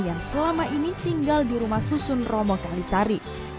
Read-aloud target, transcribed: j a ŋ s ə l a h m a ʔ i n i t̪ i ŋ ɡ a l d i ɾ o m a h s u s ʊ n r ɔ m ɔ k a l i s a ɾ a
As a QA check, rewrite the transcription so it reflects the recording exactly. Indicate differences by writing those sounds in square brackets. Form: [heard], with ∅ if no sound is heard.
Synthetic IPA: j a ŋ s ə l a [∅] m a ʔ i n i t̪ i ŋ ɡ a l d i ɾ [u] m a h s u s ʊ n r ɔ m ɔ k a l i s a ɾ [i]